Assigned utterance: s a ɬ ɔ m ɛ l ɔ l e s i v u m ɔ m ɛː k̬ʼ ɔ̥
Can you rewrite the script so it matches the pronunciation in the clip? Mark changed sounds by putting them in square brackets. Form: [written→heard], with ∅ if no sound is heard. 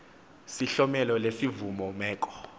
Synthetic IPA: s [a→i] ɬ ɔ m ɛ l ɔ l e s i v u m ɔ m ɛː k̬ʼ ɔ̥